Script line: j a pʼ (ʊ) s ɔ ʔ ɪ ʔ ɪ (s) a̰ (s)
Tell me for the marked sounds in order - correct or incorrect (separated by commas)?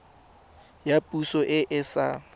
incorrect, correct, incorrect